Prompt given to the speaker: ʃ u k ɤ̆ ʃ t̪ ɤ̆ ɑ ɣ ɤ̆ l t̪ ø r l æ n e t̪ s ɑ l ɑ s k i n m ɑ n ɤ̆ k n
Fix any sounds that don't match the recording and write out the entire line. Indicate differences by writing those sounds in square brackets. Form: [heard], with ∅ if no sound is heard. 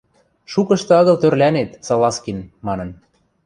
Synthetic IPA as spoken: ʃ u k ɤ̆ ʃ t̪ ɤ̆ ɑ ɣ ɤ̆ l t̪ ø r l æ n e t̪ s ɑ l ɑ s k i n m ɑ n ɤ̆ [∅] n